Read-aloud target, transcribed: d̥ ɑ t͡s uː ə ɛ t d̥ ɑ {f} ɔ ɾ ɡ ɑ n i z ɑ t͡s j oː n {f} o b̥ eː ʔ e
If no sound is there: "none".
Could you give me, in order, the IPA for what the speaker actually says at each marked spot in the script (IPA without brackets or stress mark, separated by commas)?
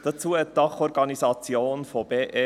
χ, f